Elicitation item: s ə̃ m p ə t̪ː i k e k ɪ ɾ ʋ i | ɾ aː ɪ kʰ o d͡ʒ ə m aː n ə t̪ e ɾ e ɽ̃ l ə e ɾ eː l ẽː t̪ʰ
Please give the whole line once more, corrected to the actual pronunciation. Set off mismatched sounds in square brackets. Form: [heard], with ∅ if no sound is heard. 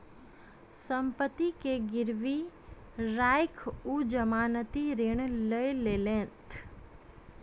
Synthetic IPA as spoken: s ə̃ m p ə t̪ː i k e [ɡ] ɪ ɾ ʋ i | ɾ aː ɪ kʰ [u] d͡ʒ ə m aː n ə t̪ [i] ɾ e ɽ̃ l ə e [l] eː l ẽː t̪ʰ

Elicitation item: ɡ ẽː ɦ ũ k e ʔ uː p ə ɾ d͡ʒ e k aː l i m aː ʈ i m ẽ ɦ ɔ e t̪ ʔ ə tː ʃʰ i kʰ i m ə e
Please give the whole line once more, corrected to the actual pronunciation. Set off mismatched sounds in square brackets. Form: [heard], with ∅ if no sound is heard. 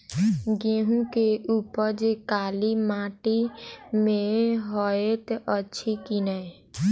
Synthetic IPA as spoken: ɡ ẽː ɦ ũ k e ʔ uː p ə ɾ d͡ʒ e k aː l i m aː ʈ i m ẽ ɦ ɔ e t̪ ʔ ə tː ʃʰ i [k] i [n] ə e

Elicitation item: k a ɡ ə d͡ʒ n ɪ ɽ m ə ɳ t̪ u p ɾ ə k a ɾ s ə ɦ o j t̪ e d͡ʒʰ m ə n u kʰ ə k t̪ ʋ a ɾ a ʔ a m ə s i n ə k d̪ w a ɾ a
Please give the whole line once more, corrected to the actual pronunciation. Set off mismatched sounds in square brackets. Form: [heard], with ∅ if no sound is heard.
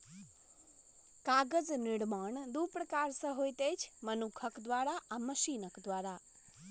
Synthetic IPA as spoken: k a ɡ ə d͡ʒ n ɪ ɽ m [a] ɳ [d̪] u p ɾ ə k a ɾ s ə ɦ o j t̪ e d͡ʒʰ m ə n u kʰ ə k [d̪] ʋ a ɾ a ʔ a m ə [ʃ] i n ə k d̪ [ʋ] a ɾ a

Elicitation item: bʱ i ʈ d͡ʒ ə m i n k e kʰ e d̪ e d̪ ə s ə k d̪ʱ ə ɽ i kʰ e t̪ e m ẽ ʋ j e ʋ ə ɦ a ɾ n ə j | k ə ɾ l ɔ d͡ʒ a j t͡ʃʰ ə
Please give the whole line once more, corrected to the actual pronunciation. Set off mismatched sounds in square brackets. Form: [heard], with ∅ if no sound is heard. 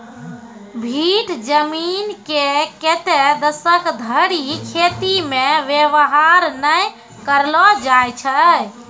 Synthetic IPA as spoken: bʱ i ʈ d͡ʒ ə m i n k e [k] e [t̪] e d̪ ə s ə k d̪ʱ ə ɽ i kʰ e t̪ [i] m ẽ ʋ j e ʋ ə ɦ a ɾ n ə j | k ə ɾ l ɔ d͡ʒ a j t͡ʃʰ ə

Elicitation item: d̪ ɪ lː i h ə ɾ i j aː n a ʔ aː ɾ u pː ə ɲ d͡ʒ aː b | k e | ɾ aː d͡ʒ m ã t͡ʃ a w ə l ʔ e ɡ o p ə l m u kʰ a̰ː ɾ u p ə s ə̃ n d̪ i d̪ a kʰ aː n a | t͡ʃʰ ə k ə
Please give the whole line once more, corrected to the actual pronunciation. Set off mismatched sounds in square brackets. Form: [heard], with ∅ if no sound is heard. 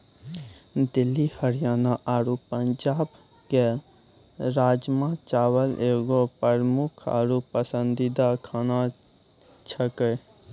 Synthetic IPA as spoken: d̪ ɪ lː i h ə ɾ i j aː n a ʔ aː ɾ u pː ə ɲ d͡ʒ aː b | k e | ɾ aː d͡ʒ m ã t͡ʃ a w ə l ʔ e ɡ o p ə [ɾ] m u kʰ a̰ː ɾ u p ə s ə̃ n d̪ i d̪ a kʰ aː n a | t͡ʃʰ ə k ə

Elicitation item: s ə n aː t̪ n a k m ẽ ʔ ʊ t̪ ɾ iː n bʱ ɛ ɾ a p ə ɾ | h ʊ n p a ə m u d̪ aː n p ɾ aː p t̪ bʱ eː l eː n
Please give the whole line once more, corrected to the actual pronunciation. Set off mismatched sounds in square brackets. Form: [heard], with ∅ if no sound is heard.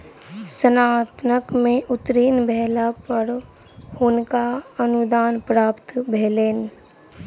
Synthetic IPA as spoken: s ə n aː t̪ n [ə] k m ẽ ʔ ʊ t̪ ɾ iː n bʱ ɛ [l] a p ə ɾ | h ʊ n [k] a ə [n] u d̪ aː n p ɾ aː p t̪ bʱ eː l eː n

